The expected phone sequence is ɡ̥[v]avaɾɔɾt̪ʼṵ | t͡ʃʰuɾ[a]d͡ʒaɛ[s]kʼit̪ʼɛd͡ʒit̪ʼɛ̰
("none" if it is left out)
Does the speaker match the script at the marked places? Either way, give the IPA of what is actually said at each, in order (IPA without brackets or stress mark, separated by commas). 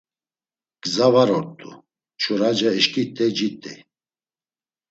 z, a, ʃ